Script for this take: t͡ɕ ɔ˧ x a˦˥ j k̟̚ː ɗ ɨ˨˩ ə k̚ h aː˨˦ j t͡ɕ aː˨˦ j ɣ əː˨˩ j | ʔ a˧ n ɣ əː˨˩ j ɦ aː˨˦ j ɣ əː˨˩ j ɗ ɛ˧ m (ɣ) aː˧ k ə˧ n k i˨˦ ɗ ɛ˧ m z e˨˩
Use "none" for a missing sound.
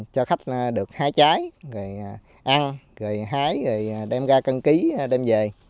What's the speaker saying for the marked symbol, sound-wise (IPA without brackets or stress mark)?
ɣ